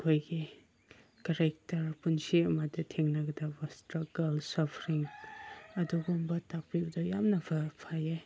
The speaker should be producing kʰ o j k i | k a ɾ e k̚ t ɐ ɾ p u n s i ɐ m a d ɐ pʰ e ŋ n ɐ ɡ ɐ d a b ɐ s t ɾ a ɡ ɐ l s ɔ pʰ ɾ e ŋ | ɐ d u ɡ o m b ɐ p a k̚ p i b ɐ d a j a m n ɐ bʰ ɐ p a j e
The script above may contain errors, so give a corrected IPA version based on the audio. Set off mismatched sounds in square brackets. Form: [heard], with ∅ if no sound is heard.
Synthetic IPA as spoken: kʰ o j [ɡ] i | k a ɾ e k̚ t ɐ ɾ p u n s i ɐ m a d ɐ [tʰ] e ŋ n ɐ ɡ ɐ d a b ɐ s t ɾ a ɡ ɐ l s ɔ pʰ ɾ [i] ŋ | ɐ d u ɡ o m b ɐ [t] a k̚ p i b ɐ d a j a m n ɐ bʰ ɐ [pʰ] a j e